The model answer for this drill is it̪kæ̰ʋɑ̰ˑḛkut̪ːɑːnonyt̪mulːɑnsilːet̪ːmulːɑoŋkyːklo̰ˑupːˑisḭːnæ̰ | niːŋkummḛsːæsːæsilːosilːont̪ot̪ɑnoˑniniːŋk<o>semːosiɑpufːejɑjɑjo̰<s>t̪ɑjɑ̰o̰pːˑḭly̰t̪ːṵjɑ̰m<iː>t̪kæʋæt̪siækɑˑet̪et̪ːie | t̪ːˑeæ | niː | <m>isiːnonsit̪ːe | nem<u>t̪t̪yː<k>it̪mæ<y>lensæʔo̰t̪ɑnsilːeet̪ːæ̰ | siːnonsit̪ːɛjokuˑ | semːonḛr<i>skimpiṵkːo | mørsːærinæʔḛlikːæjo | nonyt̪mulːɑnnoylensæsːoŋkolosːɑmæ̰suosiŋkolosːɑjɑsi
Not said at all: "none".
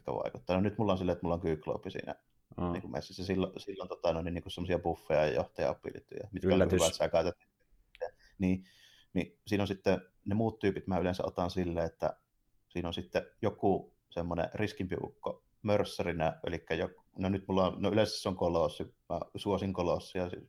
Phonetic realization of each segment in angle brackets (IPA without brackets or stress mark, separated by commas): u, h, i, n, uː, p, y, i